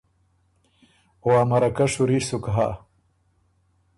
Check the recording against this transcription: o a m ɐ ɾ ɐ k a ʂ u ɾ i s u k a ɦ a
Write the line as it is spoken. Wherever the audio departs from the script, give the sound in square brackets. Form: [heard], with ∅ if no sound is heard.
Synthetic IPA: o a m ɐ ɾ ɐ k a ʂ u ɾ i s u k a ɦ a